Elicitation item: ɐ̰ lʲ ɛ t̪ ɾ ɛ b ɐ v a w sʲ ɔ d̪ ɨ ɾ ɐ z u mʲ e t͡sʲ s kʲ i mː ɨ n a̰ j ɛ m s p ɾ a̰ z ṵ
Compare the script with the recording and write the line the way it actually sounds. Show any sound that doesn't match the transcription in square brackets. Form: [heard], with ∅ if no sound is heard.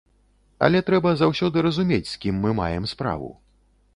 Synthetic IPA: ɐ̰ lʲ ɛ t̪ ɾ ɛ b ɐ [z] a w sʲ ɔ d̪ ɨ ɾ ɐ z u mʲ e t͡sʲ s kʲ i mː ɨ [m] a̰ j ɛ m s p ɾ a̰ [v] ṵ